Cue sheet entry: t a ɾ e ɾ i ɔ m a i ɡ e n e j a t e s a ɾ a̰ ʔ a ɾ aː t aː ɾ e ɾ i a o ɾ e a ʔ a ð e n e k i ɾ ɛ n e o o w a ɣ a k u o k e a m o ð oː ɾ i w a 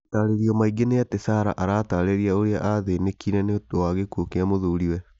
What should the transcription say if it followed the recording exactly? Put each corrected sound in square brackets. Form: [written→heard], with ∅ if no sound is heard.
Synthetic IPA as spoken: t a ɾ e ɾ i ɔ m a i ɡ e n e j a t e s a ɾ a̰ ʔ a ɾ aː t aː ɾ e ɾ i a o ɾ e a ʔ a ð e n e k i ɾ ɛ n e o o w a ɣ [a→e] k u o k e a m o ð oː ɾ i w [a→ɛ]